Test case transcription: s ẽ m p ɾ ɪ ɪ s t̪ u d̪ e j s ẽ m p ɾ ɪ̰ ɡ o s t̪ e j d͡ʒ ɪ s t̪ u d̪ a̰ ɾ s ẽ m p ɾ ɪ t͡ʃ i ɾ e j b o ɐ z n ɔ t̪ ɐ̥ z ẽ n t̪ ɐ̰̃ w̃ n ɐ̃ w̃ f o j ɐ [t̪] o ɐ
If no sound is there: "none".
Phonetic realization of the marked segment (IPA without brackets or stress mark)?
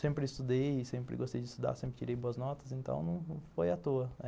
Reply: t̪